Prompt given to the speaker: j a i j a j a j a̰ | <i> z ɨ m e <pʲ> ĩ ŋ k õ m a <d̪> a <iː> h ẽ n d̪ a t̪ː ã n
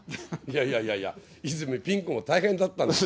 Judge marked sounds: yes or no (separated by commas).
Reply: yes, yes, no, no